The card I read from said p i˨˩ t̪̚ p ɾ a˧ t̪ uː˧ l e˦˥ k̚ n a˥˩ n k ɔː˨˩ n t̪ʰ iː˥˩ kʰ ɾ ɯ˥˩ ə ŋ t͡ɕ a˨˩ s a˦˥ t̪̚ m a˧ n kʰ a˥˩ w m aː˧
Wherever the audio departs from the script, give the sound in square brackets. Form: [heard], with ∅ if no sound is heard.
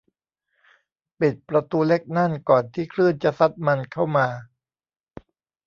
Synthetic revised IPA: p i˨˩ t̪̚ p ɾ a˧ t̪ uː˧ l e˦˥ k̚ n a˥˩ n k ɔː˨˩ n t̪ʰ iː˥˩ kʰ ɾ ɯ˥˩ ə [n] t͡ɕ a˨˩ s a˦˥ t̪̚ m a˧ n kʰ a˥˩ w m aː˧

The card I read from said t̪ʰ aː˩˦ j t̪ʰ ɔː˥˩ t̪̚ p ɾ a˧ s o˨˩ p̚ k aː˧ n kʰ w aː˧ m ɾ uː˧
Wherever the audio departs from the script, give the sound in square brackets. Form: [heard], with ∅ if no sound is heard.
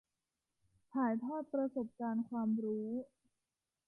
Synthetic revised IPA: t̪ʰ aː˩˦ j t̪ʰ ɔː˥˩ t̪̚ p ɾ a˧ s o˨˩ p̚ k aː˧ n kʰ w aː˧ m ɾ [uː˦˥]

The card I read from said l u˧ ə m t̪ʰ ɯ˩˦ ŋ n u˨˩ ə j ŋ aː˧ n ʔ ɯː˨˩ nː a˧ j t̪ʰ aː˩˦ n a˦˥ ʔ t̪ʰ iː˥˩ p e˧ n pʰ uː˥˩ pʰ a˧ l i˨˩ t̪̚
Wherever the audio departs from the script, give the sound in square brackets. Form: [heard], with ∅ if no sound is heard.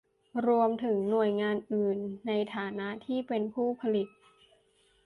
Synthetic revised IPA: [ɾ] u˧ ə m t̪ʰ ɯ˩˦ ŋ n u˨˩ ə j ŋ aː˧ n ʔ ɯː˨˩ nː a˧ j t̪ʰ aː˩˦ n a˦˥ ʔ t̪ʰ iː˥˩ p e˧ n pʰ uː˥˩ pʰ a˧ l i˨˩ t̪̚

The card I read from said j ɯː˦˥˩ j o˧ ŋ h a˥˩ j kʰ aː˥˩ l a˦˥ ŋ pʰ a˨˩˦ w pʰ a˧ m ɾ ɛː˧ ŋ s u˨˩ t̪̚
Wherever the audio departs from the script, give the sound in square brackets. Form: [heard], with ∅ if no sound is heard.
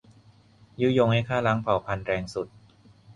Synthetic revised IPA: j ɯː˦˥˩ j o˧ ŋ h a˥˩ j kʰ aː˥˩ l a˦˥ ŋ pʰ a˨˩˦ w pʰ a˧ [n] ɾ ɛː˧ ŋ s u˨˩ t̪̚

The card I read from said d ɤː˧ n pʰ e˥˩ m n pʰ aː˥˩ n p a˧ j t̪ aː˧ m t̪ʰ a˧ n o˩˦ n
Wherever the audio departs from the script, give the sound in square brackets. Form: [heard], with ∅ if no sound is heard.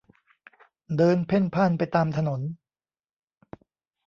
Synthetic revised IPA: d ɤː˧ n pʰ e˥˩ [∅] n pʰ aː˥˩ n p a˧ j t̪ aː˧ m t̪ʰ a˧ n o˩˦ n

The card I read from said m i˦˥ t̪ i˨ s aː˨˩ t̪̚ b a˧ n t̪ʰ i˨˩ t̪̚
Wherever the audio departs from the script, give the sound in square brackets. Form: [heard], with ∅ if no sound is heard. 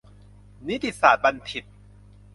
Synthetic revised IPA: [n] i˦˥ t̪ i˨ s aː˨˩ t̪̚ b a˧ n t̪ʰ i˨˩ t̪̚

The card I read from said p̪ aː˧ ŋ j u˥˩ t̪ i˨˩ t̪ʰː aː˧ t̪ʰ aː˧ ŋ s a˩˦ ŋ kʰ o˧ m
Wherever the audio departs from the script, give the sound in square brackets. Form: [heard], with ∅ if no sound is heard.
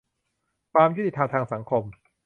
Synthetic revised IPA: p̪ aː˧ [m] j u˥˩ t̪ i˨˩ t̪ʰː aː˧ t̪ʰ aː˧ ŋ s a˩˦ ŋ kʰ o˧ m

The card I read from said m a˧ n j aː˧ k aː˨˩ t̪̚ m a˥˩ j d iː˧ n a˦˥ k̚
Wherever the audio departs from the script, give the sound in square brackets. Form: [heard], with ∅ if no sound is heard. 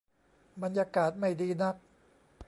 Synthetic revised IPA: [b] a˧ n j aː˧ k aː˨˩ t̪̚ m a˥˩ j d iː˧ n a˦˥ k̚

